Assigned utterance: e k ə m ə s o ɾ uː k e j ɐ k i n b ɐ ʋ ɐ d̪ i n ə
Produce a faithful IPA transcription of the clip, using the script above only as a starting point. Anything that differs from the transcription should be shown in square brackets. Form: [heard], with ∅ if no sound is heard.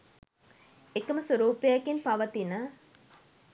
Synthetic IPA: e k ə m ə s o ɾ uː [p] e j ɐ k i n [p] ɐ ʋ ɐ [t̪] i n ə

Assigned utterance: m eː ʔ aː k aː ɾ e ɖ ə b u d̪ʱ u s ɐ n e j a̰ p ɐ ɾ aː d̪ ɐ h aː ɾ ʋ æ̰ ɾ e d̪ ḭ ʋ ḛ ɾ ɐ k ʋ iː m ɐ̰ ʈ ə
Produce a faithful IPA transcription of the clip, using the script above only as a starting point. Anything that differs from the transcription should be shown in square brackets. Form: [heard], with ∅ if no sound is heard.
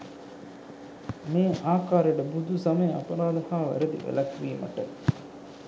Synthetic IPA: m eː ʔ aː k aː ɾ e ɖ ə b u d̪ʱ u s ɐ [m] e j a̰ p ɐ ɾ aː d̪ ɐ h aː [∅] ʋ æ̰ ɾ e d̪ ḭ ʋ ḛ [l] ɐ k ʋ iː m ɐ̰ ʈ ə

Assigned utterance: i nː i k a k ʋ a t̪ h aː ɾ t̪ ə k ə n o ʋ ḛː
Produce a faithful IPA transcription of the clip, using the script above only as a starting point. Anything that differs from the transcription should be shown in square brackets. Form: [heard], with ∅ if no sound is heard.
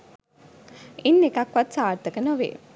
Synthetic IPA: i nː [e] k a k ʋ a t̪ [s] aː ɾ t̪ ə k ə n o ʋ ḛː

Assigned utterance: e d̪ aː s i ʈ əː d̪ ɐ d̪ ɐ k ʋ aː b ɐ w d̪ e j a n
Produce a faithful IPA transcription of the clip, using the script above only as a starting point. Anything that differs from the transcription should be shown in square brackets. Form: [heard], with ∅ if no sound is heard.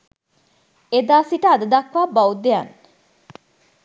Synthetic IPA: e d̪ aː s i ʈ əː d̪ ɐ d̪ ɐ k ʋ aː b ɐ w d̪ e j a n

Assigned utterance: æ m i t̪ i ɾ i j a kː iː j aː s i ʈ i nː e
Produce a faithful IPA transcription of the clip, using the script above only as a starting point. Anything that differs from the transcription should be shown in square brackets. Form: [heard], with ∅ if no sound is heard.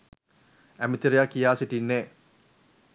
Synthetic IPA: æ m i t̪ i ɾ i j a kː [i] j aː s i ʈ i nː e

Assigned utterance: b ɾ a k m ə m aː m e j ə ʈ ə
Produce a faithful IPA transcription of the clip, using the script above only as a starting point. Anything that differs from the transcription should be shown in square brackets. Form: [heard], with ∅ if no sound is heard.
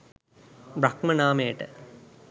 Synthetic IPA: b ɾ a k m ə [n] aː m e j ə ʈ ə

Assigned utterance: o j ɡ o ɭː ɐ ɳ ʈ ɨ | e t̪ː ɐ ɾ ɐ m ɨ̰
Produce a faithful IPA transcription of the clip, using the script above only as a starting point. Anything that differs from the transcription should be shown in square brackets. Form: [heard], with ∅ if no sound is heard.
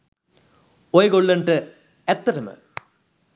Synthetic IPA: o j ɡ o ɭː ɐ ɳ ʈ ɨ | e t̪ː ɐ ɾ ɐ m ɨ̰

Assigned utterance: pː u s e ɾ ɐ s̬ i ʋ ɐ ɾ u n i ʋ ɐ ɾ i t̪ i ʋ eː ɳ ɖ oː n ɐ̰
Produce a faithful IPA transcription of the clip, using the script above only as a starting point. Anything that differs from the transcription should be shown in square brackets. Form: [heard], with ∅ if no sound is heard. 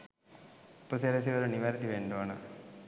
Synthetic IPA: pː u s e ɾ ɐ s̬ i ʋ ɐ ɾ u n i ʋ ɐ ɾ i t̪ i ʋ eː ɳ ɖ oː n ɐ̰

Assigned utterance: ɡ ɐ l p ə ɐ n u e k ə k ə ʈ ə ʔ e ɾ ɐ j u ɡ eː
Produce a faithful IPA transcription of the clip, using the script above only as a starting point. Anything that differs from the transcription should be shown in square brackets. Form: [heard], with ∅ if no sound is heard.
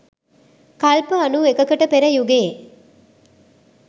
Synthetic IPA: [k] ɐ l p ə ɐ n u e k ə k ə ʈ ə [p] e ɾ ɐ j u ɡ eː

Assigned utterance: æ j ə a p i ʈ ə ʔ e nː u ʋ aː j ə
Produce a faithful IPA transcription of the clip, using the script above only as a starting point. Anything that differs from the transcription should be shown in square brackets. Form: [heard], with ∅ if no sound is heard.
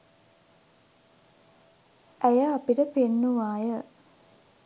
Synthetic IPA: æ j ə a p i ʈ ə [p] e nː u ʋ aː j ə

